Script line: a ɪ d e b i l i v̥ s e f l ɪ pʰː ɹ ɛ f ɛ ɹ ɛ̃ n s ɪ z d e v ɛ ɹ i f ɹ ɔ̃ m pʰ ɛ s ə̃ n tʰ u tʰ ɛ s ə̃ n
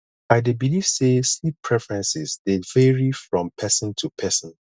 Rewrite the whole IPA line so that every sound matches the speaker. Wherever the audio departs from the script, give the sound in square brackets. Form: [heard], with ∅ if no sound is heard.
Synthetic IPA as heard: a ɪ d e b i l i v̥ s e [s] l [i] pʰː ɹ ɛ f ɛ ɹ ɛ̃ n s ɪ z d e v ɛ ɹ i f ɹ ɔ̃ m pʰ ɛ s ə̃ n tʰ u [pʰ] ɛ s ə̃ n